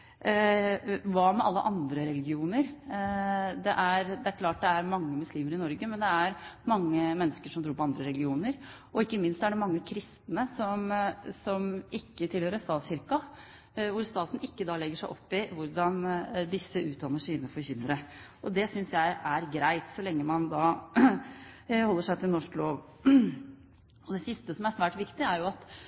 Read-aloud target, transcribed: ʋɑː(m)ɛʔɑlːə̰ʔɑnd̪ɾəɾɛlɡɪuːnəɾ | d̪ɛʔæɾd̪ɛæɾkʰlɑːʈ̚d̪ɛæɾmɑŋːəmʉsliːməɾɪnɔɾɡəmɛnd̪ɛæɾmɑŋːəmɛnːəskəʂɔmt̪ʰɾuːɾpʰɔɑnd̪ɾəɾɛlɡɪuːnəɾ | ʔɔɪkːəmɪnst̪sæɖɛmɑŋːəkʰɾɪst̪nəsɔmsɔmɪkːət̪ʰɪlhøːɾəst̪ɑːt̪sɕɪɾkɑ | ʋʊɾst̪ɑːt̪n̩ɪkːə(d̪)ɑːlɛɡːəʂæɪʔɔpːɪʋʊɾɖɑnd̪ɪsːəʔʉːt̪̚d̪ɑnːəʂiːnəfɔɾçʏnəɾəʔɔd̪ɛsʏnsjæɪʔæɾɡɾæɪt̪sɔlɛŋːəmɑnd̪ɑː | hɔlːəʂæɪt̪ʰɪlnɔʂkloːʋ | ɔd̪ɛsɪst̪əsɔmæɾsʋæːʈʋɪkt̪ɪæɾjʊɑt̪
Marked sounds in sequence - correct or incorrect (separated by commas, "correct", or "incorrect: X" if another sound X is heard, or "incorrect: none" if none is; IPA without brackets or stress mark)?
correct, correct